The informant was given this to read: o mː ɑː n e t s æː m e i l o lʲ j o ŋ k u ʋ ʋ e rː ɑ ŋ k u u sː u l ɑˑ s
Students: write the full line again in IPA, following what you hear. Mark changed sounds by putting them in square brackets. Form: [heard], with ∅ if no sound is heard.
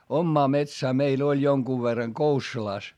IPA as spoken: o mː ɑː [m] e t s æː m e i l o lʲ j o ŋ k u ʋ ʋ e rː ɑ ŋ k [o] u sː u l ɑˑ s